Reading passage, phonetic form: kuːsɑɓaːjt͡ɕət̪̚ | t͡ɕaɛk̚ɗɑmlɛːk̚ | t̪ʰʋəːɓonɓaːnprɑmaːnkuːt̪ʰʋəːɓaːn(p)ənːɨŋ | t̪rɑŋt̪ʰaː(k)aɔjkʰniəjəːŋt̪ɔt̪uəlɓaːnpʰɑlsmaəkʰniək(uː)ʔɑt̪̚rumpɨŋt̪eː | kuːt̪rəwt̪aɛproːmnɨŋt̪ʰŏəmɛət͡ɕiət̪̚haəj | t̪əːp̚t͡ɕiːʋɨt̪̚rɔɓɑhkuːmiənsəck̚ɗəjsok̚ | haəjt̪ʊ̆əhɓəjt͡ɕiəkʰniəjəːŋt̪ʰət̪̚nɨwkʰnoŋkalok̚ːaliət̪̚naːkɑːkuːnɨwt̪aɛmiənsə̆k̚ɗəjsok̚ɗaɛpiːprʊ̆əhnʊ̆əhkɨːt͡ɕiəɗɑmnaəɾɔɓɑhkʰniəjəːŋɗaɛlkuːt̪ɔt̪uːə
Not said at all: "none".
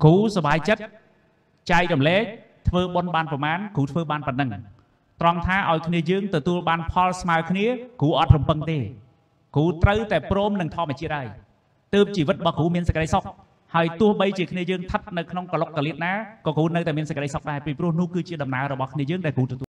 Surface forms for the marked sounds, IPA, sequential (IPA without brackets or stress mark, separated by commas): p, ʔ, uː